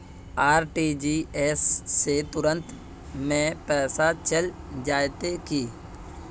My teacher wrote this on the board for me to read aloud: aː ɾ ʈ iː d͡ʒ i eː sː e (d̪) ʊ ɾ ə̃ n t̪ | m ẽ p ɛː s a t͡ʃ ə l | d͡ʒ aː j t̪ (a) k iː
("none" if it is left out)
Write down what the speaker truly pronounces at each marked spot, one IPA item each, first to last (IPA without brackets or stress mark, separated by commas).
t̪, e